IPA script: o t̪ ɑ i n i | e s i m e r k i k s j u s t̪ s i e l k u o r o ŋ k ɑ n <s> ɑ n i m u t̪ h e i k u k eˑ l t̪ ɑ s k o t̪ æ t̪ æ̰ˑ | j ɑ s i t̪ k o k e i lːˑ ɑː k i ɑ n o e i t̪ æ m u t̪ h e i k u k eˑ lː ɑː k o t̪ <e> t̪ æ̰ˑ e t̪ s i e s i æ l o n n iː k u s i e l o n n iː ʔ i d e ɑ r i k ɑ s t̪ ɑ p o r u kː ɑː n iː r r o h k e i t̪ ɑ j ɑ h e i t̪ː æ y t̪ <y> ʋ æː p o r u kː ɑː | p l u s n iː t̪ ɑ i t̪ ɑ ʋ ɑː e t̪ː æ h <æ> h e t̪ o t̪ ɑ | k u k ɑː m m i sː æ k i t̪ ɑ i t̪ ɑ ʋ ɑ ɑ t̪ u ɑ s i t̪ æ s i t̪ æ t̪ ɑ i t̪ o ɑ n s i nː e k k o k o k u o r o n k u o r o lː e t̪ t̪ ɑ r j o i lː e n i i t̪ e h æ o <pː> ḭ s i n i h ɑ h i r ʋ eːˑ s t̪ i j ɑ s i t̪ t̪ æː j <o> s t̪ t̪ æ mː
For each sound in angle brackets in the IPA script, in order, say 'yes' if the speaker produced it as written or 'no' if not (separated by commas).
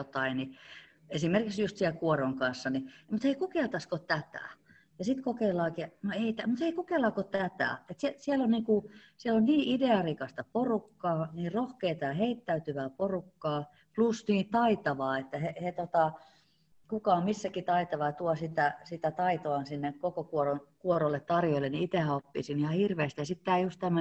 no, no, yes, no, yes, no